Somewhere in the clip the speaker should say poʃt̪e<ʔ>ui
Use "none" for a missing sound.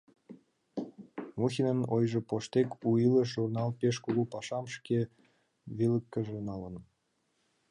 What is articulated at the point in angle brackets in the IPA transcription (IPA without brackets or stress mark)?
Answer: k